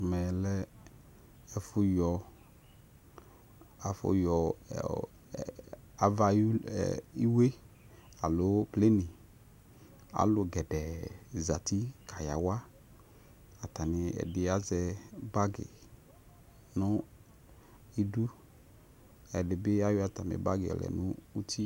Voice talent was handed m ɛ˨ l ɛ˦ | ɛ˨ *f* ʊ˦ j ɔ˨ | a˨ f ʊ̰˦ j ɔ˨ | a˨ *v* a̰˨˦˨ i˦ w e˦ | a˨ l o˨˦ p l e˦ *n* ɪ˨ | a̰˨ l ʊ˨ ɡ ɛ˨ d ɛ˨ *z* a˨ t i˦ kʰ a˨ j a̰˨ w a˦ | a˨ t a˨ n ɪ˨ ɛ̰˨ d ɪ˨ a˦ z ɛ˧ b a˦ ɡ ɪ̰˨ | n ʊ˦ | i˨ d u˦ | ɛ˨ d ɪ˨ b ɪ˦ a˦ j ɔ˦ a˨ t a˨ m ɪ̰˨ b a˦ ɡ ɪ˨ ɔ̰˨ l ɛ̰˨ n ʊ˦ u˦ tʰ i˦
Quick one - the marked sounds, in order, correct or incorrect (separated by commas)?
correct, correct, correct, correct